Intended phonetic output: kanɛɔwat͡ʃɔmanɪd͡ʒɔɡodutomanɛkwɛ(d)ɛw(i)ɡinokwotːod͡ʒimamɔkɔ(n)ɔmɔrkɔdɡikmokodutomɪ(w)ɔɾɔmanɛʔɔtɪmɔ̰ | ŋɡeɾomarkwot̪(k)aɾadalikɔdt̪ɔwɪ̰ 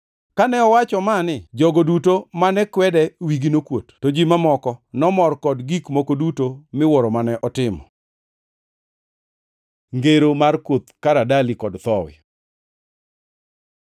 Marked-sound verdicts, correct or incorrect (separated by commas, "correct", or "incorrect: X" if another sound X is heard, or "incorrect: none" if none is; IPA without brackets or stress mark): correct, correct, correct, correct, correct